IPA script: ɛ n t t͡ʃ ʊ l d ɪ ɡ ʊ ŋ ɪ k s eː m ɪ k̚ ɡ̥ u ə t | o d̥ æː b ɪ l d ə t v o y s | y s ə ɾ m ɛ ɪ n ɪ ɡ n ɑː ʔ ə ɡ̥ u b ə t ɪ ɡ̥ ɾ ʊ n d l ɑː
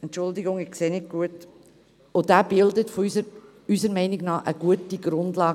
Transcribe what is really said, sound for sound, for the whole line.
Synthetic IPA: ɛ n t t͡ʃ ʊ l d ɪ ɡ ʊ ŋ ɪ k s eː n ɪ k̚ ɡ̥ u ə t | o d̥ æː b ɪ l d ə t f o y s | y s ə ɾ m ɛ ɪ n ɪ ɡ n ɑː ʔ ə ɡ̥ u ə t i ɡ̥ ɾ ʊ n d l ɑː

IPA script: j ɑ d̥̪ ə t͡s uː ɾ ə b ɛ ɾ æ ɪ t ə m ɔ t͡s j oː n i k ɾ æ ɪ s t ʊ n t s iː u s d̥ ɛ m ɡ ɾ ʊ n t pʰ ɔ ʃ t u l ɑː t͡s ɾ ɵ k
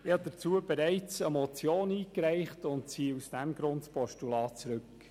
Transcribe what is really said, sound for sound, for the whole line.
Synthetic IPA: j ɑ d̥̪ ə t͡s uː ə b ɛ ɾ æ ɪ t͡s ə m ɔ t͡s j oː n iː k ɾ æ ɪ χ t ʊ n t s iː u s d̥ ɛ m ɡ ɾ ʊ n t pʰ ɔ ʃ t u l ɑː t͡s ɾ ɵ k

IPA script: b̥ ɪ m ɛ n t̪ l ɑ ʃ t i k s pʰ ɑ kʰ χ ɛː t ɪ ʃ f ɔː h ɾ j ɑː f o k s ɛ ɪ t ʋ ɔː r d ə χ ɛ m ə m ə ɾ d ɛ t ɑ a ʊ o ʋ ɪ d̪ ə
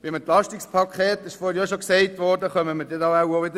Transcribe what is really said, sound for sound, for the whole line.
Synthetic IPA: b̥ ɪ m ɛ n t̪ l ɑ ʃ t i k s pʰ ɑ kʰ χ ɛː t ɪ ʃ f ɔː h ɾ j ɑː ʃ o k s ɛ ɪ t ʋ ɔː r d ə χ œ m ə m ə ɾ d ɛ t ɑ a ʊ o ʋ ɪ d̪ ə

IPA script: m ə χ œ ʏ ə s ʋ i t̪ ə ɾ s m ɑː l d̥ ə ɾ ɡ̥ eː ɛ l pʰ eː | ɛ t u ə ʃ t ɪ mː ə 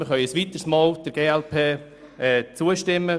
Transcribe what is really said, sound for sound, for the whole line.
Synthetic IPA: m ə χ œ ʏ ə s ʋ i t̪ ə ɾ s m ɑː l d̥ ə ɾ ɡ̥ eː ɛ l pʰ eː | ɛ t͡s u ə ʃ t ɪ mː ə

